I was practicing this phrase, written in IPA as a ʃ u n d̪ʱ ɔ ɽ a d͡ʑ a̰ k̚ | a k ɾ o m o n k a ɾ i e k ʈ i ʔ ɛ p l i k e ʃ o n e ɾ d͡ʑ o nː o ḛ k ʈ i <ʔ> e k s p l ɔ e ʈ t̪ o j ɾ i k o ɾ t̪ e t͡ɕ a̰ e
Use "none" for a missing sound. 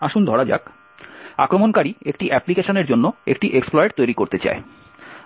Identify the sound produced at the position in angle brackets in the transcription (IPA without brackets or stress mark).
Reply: ʔ